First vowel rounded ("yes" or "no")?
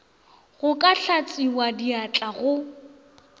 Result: yes